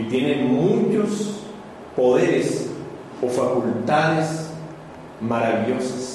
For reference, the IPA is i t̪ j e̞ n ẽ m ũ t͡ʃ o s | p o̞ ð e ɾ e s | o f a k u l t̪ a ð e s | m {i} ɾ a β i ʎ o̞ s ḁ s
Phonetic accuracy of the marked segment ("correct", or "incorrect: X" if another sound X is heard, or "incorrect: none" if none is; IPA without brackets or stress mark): incorrect: a